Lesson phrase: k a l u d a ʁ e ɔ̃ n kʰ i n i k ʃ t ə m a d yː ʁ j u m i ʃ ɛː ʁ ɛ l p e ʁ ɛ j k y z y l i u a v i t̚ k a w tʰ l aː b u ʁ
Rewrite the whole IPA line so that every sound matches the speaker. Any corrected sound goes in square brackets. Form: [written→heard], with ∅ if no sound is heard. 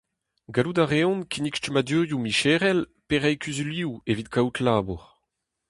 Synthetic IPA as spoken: [k→ɡ] a l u d a ʁ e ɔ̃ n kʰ i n i k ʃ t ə m a d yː ʁ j u m i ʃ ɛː ʁ ɛ l p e ʁ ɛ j k y z y l i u [a→e] v i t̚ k a w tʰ l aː b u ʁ